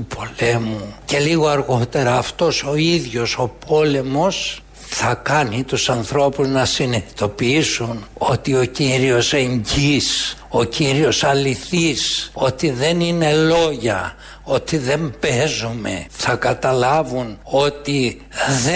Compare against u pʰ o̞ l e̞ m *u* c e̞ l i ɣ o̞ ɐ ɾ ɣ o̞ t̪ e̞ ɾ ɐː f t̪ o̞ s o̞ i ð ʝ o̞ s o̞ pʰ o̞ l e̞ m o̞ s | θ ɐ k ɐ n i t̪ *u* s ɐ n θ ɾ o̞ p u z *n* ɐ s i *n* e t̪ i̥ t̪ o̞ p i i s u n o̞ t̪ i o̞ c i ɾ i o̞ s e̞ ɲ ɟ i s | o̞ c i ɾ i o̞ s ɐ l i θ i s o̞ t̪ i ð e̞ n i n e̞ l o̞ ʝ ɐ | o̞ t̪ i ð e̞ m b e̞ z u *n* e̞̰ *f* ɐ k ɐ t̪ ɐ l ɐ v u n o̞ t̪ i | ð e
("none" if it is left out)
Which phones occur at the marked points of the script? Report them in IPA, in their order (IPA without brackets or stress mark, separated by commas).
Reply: u, u, n, n, m, θ